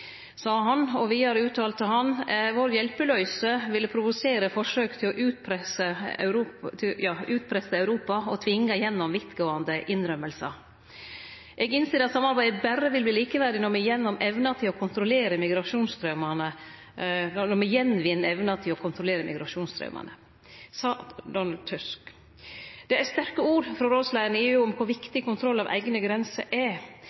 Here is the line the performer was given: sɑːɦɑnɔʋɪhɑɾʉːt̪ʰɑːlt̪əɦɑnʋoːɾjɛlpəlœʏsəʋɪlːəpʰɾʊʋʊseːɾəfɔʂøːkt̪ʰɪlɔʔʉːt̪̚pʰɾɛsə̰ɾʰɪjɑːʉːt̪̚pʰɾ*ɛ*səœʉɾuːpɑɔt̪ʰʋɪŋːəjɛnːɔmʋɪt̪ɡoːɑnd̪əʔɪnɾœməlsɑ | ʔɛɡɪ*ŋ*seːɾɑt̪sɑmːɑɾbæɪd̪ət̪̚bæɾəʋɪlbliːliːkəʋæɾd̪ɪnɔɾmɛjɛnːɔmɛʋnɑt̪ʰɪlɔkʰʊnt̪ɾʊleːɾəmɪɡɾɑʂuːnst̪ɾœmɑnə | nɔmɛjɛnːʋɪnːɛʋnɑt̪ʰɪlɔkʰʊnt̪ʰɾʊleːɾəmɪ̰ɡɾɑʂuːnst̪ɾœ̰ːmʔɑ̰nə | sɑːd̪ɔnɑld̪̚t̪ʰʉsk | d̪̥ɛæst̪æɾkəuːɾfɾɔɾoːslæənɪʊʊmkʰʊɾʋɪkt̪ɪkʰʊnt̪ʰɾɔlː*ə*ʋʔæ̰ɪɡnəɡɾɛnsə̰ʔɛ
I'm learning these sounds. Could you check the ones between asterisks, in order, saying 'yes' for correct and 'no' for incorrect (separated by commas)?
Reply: yes, no, no